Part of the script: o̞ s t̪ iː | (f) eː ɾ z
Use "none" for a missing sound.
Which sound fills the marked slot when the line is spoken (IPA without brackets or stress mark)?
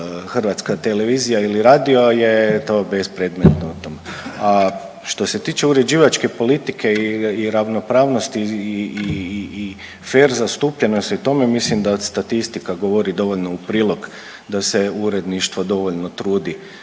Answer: f